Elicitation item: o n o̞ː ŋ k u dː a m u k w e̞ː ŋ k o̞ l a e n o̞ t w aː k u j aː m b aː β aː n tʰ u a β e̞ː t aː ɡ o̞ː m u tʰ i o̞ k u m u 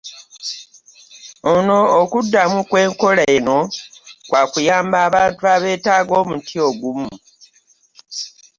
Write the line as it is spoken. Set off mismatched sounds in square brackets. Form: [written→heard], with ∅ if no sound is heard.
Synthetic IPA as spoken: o n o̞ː [ŋ→∅] k u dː a m u k w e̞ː ŋ k o̞ l a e n o̞ [t→k] w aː k u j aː m b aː β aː n [tʰ→t] u a β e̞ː t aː ɡ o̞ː m u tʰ i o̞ [k→ɡ] u m u